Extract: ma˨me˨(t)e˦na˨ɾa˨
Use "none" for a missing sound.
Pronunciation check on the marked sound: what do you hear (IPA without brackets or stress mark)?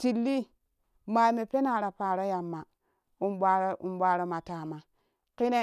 p